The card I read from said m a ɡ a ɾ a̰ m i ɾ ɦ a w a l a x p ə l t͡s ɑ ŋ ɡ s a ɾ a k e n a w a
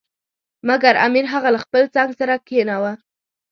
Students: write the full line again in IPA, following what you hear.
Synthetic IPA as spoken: m a ɡ a ɾ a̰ m i ɾ ɦ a ɣ a l a x p ə l t͡s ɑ ŋ ɡ s a ɾ a k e n a w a